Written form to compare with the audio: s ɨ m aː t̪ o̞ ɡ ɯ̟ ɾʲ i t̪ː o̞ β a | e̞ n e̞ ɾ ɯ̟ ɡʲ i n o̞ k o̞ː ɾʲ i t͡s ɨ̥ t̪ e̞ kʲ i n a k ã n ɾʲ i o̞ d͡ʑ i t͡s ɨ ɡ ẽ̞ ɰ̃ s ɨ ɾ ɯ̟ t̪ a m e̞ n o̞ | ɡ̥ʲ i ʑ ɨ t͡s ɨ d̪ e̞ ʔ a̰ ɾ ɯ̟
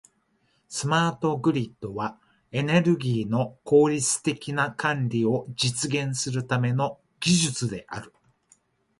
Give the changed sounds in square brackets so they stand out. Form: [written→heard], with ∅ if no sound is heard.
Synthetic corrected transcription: s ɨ m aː t̪ o̞ ɡ ɯ̟ ɾʲ i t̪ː o̞ β a | e̞ n e̞ ɾ ɯ̟ ɡʲ [i→iː] n o̞ k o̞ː ɾʲ i t͡s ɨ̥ t̪ e̞ kʲ i n a k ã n ɾʲ i o̞ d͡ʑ i t͡s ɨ ɡ ẽ̞ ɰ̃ s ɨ ɾ ɯ̟ t̪ a m e̞ n o̞ | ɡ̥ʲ i ʑ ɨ t͡s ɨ d̪ e̞ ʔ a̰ ɾ ɯ̟